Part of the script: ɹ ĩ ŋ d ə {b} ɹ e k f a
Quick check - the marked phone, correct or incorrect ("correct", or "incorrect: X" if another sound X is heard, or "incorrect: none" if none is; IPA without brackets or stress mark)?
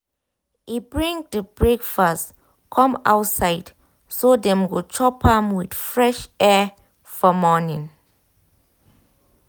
correct